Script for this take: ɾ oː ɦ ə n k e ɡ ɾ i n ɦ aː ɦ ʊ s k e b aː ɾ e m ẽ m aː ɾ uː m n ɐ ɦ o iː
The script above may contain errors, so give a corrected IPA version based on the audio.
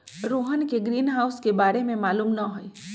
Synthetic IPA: ɾ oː ɦ ə n k e ɡ ɾ iː n ɦ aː ʊ s k e b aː ɾ e m ẽ m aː l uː m n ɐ ɦ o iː